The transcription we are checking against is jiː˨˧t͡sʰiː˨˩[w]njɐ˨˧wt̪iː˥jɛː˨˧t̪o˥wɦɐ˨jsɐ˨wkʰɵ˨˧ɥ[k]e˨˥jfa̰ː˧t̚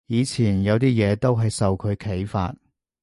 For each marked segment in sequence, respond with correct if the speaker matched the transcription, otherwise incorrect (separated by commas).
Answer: incorrect, incorrect